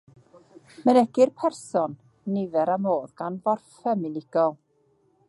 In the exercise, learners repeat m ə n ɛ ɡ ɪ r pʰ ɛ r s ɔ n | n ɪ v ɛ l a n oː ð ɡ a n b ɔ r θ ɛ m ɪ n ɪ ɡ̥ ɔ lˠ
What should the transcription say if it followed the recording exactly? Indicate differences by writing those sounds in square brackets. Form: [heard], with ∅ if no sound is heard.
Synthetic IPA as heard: m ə n ɛ ɡ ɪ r pʰ ɛ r s ɔ n | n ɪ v ɛ [ɾ] a [m] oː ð ɡ a n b ɔ r [f] ɛ m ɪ n ɪ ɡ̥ ɔ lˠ